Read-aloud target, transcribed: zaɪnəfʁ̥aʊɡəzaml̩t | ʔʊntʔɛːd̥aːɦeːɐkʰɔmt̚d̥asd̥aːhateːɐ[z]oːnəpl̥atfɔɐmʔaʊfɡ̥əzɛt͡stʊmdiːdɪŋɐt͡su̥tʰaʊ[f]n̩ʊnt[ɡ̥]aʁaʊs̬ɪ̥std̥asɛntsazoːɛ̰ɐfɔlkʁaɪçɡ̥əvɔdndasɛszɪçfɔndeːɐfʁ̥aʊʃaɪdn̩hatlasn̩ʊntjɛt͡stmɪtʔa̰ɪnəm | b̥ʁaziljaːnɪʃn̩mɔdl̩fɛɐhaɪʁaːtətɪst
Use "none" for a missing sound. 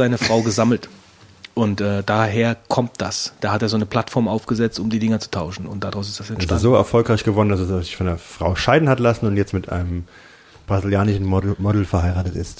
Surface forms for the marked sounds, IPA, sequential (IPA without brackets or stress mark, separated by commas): z, ʃ, d̥